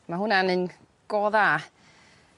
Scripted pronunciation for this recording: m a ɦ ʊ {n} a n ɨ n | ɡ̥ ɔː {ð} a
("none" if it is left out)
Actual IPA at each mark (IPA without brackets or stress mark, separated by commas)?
n, ð